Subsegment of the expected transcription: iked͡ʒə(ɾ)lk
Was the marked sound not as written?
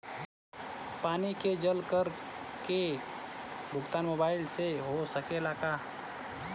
yes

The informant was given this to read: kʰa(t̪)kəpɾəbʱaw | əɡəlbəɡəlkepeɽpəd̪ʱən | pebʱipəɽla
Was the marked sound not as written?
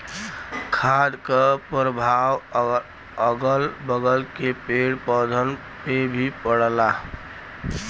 yes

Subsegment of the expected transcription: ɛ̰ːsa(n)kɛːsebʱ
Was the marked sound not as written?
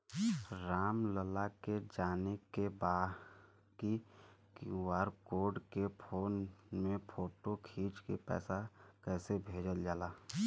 yes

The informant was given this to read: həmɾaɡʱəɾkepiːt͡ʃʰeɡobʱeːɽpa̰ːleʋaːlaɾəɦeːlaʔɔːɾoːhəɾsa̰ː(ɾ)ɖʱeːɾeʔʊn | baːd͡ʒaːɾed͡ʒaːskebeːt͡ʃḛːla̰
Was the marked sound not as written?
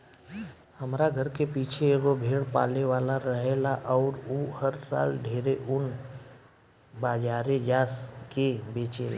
yes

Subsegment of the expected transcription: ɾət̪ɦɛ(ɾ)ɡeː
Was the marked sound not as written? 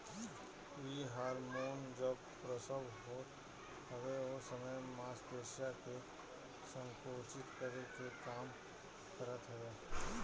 yes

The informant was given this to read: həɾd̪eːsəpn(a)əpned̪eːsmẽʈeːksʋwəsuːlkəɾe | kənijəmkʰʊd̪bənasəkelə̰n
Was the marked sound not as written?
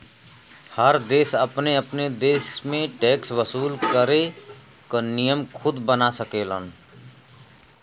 yes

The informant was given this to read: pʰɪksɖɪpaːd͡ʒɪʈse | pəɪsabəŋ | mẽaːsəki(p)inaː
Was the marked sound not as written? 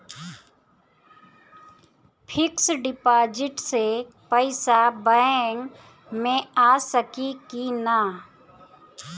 yes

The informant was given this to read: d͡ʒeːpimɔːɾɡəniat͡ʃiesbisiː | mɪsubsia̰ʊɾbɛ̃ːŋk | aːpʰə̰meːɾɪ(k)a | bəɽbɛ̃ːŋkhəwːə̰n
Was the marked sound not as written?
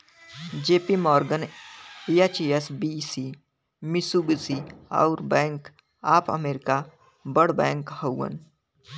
no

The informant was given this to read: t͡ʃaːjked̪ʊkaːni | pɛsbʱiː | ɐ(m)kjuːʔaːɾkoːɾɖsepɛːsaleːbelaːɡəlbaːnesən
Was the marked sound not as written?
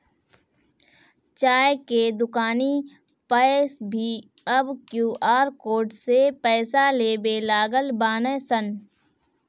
yes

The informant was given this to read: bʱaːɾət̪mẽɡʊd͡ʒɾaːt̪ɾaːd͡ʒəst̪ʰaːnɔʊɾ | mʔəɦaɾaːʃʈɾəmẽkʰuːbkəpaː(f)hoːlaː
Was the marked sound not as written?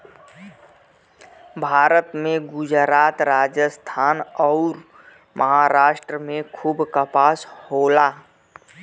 yes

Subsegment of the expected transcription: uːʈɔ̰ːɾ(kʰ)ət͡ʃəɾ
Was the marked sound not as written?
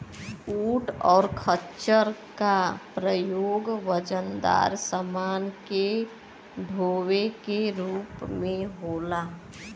no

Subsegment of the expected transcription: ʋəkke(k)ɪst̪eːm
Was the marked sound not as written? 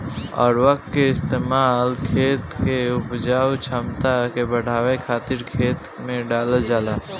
yes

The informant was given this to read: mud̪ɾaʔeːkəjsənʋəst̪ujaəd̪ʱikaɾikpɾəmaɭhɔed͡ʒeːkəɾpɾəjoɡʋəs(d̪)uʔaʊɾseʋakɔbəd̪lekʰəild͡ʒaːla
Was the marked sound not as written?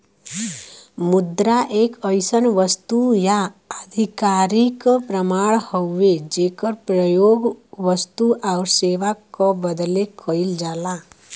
yes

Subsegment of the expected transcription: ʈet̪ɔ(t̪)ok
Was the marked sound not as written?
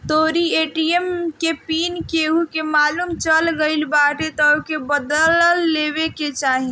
yes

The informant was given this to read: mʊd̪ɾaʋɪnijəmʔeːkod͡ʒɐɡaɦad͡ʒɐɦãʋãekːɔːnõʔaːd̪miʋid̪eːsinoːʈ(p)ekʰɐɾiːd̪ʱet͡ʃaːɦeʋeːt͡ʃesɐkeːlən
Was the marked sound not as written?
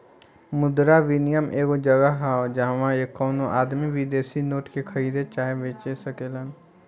yes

